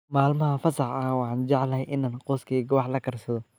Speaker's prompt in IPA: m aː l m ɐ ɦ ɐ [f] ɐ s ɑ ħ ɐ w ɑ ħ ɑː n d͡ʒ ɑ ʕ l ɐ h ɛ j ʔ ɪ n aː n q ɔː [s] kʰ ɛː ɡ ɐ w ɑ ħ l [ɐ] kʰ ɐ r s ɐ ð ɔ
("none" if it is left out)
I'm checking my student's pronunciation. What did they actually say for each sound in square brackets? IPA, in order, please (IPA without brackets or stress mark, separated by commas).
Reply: f, s, ɐ